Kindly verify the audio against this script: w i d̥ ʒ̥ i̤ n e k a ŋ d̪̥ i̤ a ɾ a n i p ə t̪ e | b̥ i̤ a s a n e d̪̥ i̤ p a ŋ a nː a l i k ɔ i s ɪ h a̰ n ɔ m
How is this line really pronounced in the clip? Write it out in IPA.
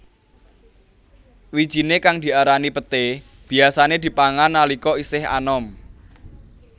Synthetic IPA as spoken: w i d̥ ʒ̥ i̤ n e k a ŋ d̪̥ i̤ a ɾ a n i p ə t̪ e | b̥ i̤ a s a n e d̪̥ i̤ p a ŋ a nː a l i k ɔ i s ɪ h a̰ n ɔ m